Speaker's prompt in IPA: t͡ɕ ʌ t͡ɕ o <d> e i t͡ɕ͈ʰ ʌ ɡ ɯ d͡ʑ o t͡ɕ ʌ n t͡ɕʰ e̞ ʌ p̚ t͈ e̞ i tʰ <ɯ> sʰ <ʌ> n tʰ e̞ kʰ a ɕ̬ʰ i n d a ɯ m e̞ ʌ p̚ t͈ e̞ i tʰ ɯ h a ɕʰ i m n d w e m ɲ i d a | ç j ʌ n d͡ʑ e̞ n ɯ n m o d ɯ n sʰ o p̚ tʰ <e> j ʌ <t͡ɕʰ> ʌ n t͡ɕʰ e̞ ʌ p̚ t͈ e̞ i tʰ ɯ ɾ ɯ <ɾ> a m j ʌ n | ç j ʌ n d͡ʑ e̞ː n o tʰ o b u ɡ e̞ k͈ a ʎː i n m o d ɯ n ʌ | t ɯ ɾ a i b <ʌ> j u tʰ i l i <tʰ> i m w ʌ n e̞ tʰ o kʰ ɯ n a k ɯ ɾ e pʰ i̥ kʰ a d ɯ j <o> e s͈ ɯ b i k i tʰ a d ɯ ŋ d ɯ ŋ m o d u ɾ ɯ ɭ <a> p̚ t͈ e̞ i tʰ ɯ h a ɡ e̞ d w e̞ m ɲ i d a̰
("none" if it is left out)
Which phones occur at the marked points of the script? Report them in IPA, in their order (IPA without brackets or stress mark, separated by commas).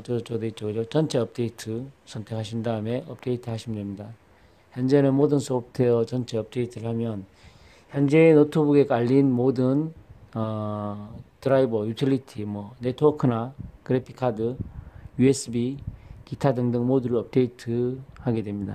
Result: d, ɯ, ʌ, e, t͡ɕ, ɭ, ʌ, tʰ, u, ʌ